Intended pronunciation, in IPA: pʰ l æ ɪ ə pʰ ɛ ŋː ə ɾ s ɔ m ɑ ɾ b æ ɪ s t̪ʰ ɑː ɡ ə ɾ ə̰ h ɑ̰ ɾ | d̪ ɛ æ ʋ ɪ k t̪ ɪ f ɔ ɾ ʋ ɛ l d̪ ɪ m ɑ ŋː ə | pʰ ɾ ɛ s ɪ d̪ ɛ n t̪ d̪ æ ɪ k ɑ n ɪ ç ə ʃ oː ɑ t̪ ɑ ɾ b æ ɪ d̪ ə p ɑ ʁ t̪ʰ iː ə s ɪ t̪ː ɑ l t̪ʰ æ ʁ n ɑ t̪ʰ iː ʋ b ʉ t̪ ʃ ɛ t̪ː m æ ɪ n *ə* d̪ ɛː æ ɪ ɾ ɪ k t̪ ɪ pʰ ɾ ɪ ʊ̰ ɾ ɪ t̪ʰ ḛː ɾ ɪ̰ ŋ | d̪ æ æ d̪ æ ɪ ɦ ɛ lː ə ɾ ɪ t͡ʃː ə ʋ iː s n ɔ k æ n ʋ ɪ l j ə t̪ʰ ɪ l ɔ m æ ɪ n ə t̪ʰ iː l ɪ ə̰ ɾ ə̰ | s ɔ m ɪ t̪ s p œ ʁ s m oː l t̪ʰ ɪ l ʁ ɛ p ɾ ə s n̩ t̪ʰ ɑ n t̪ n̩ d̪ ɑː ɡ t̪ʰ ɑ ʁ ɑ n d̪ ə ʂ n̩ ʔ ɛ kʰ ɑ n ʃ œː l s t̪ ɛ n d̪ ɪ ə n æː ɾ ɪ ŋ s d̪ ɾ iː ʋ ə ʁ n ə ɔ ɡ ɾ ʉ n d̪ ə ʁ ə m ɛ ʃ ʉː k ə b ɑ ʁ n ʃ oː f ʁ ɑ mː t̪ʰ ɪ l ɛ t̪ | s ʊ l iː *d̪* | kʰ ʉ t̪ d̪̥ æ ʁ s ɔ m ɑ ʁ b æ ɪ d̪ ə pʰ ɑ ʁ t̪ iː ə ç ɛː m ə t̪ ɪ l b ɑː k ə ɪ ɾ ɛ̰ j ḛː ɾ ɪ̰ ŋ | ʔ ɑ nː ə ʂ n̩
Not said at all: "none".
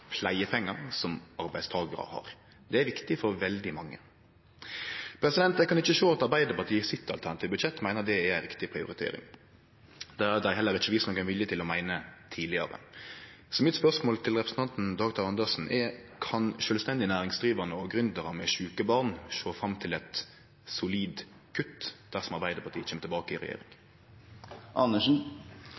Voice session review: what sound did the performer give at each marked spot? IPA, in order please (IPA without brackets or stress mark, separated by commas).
ə, d̪